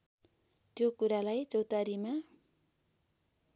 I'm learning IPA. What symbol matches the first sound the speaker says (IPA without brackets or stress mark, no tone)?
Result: t̪